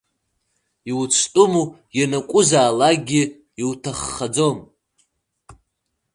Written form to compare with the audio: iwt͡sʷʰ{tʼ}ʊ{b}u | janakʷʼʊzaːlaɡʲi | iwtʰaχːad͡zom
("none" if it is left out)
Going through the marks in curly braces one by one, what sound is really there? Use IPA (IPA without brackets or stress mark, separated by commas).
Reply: tʼ, m